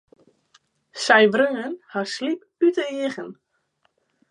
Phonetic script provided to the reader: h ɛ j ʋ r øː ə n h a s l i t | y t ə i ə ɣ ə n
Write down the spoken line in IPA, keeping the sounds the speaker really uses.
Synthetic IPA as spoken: s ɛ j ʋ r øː ə n h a s l i p | y t ə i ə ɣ ə n